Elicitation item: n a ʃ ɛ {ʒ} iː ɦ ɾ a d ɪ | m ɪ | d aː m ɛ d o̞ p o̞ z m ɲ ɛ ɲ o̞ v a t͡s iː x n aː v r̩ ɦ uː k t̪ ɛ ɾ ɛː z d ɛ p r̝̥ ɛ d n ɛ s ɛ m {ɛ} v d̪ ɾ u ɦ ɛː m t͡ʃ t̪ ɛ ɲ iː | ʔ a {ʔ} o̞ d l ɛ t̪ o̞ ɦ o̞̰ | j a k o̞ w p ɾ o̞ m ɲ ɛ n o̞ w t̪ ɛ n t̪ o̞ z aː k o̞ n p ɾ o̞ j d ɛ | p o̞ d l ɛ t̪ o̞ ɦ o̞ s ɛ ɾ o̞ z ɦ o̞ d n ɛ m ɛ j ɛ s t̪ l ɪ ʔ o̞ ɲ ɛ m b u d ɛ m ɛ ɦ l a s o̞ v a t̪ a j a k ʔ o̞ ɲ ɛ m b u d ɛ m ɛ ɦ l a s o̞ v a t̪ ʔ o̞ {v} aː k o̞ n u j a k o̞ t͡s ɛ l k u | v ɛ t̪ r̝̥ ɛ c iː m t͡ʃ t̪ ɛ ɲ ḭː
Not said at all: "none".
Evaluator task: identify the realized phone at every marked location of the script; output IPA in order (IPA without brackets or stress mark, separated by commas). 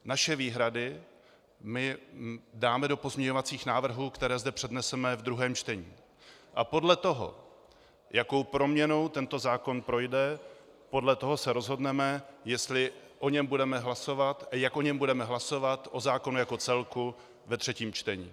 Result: v, ɛ, p, z